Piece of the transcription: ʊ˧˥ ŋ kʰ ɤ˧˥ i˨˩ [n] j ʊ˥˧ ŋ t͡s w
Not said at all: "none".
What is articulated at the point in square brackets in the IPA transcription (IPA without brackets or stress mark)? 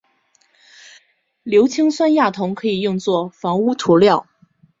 none